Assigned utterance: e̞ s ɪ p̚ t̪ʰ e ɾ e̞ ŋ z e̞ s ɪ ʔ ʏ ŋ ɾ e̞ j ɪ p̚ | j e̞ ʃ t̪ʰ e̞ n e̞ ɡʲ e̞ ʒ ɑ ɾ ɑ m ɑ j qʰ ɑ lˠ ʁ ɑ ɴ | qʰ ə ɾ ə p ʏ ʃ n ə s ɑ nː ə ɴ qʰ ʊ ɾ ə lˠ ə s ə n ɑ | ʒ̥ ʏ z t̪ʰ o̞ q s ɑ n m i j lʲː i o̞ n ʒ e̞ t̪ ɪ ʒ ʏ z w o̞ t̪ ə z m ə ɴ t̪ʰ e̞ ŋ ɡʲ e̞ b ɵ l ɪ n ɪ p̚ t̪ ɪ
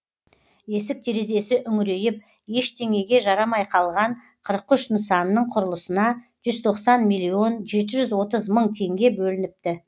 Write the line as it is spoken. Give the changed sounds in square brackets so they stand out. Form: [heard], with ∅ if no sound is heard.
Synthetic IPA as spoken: e̞ s ɪ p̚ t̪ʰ e ɾ e̞ [∅] z e̞ s ɪ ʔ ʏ ŋ ɾ e̞ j ɪ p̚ | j e̞ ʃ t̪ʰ e̞ [ŋ] e̞ ɡʲ e̞ ʒ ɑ ɾ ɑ m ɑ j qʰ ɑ lˠ ʁ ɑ ɴ | qʰ ə ɾ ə [q] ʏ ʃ n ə s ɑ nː ə ɴ qʰ ʊ ɾ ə lˠ ə s ə n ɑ | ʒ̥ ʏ z t̪ʰ o̞ q s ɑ n m i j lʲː i o̞ n ʒ e̞ t̪ ɪ ʒ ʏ z w o̞ t̪ ə z m ə ɴ t̪ʰ e̞ ŋ ɡʲ e̞ b ɵ l ɪ n ɪ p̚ t̪ ɪ

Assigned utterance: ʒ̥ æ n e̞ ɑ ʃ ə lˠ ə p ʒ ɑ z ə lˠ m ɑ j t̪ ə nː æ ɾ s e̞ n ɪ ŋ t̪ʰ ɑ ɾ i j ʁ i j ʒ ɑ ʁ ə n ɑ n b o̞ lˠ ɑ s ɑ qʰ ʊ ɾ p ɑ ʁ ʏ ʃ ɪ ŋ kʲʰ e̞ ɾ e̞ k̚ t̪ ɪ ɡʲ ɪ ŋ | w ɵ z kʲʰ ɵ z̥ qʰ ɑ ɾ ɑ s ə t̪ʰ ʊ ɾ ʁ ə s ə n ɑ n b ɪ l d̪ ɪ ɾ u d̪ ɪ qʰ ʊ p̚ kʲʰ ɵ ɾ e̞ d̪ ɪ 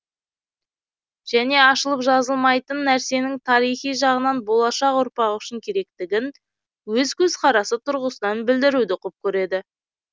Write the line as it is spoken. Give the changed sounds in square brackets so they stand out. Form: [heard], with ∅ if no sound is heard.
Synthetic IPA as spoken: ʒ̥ æ n e̞ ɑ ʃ ə lˠ ə p ʒ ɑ z ə lˠ m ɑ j t̪ ə nː æ ɾ s e̞ n ɪ ŋ t̪ʰ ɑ ɾ i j [χ] i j ʒ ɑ ʁ ə n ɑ n b o̞ lˠ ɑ [ʃ] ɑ [q] ʊ ɾ p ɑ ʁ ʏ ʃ ɪ ŋ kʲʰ e̞ ɾ e̞ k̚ t̪ ɪ ɡʲ ɪ [n] | w ɵ z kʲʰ ɵ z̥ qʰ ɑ ɾ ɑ s ə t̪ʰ ʊ ɾ ʁ ə s ə n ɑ n b ɪ l d̪ ɪ ɾ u d̪ ɪ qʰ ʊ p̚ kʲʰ ɵ ɾ e̞ d̪ ɪ

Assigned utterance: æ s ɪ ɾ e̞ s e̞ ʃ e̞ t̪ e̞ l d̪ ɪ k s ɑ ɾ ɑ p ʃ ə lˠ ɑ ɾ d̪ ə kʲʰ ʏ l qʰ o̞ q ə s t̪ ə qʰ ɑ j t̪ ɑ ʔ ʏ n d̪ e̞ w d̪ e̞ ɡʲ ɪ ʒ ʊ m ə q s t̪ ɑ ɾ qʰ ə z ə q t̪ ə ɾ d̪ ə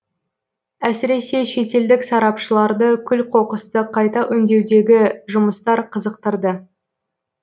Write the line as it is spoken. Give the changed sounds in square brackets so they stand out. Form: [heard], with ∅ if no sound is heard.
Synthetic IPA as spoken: æ s ɪ ɾ e̞ s e̞ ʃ e̞ t̪ e̞ l d̪ ɪ k s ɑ ɾ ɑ p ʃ ə lˠ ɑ ɾ d̪ ə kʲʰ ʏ l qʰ o̞ q ə s t̪ ə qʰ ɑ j t̪ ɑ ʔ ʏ n d̪ e̞ w d̪ e̞ ɡʲ ɪ ʒ ʊ m ə [∅] s t̪ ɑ ɾ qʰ ə z ə q t̪ ə ɾ d̪ ə

